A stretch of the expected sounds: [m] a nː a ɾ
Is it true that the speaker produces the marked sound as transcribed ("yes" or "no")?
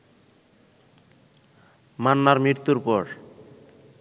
yes